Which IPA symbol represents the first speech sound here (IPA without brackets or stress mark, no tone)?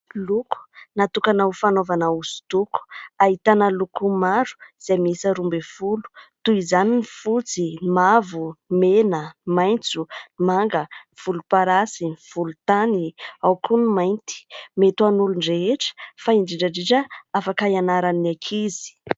l